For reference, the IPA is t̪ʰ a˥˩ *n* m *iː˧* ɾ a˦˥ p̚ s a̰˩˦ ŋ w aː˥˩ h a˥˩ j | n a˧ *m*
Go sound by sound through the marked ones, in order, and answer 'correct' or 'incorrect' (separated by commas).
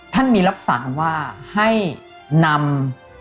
correct, correct, correct